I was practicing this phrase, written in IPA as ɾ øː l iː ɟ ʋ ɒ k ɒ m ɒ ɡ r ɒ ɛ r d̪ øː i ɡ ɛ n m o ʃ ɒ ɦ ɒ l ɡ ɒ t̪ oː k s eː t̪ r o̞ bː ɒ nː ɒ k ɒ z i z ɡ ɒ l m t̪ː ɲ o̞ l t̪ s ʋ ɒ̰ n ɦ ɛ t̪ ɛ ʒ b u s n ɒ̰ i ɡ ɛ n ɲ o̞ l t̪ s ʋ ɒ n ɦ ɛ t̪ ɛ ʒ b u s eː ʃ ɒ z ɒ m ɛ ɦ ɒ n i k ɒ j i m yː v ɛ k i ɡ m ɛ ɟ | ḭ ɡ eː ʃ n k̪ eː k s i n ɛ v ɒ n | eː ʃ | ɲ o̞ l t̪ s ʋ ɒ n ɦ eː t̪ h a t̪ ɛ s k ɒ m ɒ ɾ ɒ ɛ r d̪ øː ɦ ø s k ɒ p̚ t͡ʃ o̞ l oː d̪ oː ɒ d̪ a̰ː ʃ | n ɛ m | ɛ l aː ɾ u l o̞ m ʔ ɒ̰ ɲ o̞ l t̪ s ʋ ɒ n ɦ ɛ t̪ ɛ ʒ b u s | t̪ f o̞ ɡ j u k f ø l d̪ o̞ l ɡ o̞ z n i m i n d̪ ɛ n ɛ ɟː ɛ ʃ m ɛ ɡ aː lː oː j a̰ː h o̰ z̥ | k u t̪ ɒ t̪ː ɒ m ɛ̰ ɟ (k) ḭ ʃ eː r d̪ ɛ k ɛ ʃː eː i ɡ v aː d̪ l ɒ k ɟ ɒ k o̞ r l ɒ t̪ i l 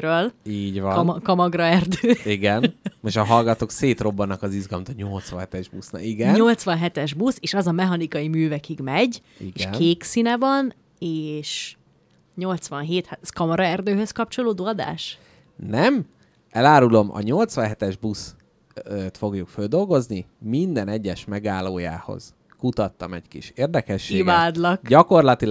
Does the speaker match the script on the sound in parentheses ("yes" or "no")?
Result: yes